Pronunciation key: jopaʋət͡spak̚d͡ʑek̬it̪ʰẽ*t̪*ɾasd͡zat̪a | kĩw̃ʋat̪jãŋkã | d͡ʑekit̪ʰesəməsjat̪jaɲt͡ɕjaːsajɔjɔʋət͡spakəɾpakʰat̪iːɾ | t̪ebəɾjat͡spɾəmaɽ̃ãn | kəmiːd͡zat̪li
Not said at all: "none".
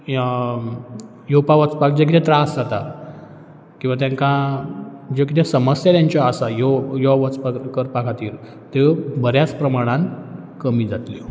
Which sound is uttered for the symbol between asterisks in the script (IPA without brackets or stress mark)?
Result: t̪